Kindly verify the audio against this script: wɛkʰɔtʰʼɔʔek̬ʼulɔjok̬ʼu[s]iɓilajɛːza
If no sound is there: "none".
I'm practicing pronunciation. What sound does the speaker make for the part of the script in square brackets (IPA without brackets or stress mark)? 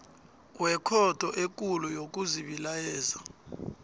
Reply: z